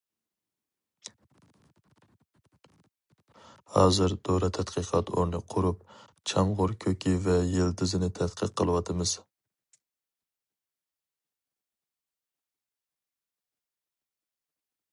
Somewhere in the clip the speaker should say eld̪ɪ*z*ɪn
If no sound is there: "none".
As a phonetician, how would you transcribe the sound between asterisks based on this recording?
z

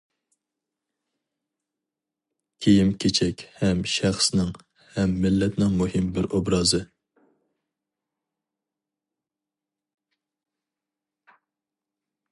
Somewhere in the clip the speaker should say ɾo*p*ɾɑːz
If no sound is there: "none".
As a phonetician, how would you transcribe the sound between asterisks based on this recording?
b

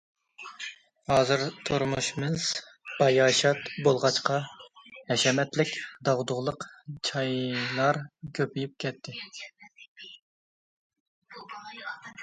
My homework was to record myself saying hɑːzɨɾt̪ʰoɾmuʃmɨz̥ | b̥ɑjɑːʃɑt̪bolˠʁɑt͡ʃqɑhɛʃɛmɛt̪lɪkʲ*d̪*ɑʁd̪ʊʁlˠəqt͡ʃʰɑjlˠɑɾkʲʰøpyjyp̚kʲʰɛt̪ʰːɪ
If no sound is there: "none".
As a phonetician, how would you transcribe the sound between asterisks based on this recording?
d̪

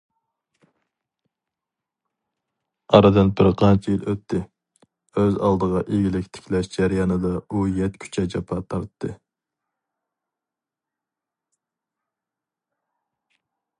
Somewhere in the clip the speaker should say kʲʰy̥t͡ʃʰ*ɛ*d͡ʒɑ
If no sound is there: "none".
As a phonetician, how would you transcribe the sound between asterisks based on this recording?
ɛ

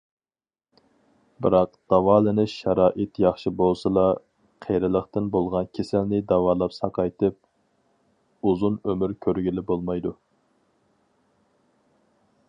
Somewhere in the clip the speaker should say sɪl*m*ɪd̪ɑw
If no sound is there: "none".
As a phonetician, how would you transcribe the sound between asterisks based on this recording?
n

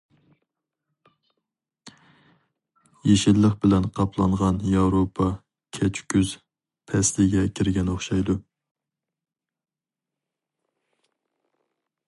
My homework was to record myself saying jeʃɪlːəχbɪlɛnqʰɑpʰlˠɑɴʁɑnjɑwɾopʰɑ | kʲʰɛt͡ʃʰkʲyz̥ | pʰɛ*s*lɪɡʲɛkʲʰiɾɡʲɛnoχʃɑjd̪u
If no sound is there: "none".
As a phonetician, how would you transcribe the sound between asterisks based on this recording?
s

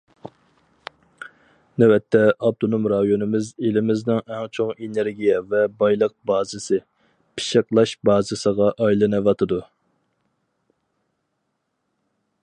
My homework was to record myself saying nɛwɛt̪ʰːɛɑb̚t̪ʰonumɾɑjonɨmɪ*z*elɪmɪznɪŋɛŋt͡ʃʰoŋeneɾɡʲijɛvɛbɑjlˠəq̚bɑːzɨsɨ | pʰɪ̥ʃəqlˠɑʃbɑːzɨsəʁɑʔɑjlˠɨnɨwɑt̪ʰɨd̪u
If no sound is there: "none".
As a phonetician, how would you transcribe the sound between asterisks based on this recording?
z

